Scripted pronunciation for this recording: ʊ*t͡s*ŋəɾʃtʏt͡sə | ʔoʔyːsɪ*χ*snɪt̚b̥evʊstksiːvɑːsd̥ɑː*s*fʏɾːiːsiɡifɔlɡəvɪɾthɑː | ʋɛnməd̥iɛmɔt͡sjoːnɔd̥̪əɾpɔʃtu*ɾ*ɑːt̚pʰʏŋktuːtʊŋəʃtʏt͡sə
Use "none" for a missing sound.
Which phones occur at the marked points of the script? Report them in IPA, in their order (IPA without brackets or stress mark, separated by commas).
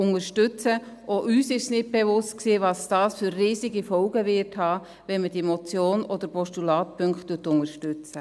none, ʃ, s, l